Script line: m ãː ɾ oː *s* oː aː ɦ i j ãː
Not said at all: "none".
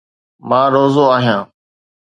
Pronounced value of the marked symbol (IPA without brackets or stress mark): z